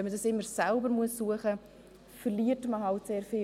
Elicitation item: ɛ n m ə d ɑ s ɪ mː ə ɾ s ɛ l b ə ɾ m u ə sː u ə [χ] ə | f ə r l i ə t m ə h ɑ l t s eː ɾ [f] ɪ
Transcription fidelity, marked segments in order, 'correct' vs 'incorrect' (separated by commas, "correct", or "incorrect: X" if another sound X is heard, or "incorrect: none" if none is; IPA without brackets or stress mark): correct, correct